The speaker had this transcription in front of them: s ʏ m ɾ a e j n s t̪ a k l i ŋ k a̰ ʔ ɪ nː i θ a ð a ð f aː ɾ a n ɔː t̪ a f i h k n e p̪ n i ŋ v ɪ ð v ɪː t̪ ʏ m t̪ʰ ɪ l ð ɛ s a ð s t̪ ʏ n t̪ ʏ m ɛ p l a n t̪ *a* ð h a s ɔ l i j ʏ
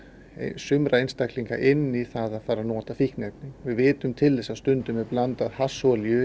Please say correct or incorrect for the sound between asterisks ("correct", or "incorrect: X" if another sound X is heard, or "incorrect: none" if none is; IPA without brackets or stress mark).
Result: correct